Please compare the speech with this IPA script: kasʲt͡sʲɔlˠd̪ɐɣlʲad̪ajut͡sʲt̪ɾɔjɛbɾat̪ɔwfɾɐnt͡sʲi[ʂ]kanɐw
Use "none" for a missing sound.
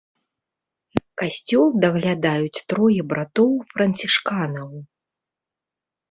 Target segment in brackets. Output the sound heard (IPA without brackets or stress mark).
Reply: ʂ